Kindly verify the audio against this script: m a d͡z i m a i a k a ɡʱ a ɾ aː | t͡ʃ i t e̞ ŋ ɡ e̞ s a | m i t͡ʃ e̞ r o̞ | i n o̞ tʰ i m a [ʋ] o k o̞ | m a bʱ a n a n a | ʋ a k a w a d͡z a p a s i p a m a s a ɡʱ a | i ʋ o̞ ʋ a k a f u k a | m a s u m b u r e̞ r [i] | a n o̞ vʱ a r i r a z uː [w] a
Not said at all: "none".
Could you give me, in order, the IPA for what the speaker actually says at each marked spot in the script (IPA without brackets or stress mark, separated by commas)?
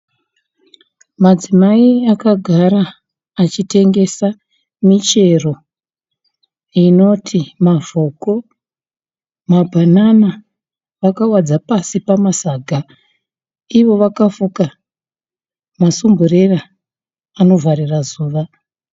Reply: v, a, ʋ